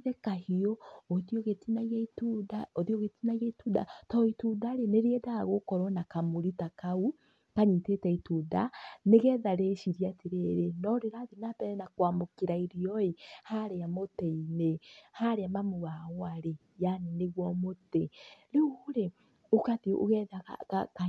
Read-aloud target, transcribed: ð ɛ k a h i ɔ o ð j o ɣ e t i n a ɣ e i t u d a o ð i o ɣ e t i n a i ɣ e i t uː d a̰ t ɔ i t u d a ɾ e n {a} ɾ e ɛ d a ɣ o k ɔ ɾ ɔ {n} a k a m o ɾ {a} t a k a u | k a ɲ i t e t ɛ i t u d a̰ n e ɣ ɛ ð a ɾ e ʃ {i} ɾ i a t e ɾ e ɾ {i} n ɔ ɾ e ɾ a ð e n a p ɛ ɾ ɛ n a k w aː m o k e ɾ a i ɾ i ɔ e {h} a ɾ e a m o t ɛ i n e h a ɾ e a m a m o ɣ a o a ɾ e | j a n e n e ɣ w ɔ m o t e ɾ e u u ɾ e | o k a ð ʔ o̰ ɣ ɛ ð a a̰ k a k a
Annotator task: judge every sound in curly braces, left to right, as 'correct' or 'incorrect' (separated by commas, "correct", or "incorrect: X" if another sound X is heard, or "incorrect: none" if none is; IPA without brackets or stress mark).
incorrect: e, correct, incorrect: i, correct, incorrect: e, correct